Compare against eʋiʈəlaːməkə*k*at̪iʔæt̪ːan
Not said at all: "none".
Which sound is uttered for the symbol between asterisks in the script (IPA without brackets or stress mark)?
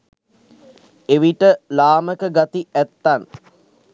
ɡ